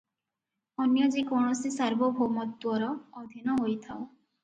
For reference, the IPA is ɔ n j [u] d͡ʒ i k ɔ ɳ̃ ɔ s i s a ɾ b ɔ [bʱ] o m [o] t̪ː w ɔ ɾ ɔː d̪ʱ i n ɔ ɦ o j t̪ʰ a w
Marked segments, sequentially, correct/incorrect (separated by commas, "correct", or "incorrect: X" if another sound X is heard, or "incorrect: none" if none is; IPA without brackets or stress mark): incorrect: ɔ, correct, incorrect: ɔ